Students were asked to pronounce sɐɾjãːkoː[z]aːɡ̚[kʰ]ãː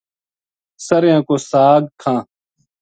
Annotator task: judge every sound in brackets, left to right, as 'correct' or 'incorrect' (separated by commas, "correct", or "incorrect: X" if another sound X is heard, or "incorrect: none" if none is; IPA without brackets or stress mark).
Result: incorrect: s, correct